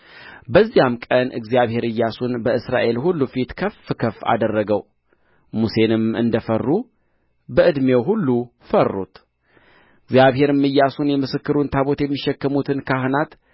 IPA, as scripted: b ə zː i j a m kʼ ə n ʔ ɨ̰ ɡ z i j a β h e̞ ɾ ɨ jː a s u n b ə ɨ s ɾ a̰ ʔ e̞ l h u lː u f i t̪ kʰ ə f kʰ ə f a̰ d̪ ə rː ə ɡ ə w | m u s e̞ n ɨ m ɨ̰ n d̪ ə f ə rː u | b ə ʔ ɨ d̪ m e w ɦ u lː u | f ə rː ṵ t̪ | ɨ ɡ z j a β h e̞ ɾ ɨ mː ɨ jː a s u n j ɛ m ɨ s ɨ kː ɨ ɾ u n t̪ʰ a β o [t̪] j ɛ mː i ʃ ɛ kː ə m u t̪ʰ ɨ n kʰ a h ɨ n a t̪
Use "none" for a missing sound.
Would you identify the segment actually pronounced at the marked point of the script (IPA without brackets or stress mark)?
t̪